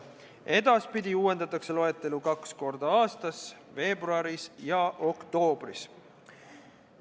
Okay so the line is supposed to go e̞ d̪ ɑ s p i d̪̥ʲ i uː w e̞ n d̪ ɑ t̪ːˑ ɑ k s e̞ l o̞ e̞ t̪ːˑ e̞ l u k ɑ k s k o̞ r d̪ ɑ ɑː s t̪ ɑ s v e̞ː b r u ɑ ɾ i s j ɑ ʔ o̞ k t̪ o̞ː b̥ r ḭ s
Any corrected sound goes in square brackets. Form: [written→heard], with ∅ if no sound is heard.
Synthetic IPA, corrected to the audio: e̞ d̪ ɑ s p i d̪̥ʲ i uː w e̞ n d̪ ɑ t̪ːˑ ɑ k s e̞ l o̞ e̞ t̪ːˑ e̞ l u k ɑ k s k o̞ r d̪ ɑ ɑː s t̪ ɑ s v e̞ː b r u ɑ ɾ i s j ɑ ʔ o̞ k t̪ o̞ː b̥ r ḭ s